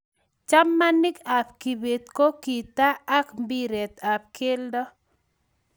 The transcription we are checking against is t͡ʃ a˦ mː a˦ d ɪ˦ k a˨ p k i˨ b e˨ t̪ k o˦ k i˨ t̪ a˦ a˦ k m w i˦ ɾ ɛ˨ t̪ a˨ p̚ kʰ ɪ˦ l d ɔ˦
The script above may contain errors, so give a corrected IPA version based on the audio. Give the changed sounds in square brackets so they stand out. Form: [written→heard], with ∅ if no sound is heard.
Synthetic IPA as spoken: t͡ʃ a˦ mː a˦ [d→n] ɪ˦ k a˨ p k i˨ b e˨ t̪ k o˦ k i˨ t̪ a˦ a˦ k m [w→b] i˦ ɾ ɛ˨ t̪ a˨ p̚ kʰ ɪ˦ l d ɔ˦